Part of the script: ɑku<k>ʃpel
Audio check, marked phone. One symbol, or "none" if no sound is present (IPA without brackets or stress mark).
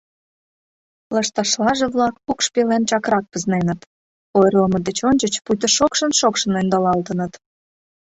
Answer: k